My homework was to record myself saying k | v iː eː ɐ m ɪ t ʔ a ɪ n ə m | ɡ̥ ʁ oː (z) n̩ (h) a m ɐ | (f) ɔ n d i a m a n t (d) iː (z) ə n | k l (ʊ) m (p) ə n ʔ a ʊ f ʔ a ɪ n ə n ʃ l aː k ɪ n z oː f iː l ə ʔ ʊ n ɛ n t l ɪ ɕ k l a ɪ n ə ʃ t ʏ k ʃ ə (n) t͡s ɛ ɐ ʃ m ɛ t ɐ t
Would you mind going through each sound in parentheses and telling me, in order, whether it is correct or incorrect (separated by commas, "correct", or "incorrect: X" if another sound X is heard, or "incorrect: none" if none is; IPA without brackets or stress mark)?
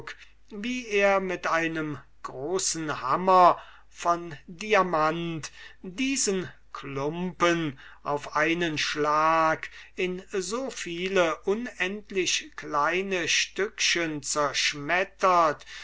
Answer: incorrect: s, correct, correct, correct, correct, correct, correct, correct